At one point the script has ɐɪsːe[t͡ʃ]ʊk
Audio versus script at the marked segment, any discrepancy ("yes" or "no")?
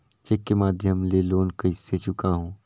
no